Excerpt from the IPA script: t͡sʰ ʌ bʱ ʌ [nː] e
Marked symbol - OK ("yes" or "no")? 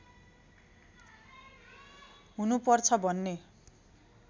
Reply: yes